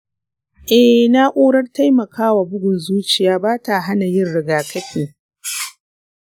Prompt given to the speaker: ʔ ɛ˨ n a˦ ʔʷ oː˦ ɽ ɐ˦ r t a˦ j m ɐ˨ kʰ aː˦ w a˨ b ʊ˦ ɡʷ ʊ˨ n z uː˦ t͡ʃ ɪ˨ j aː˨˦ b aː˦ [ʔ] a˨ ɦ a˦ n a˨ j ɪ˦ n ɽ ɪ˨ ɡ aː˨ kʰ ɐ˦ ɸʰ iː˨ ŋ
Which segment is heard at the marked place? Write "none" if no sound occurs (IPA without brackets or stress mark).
t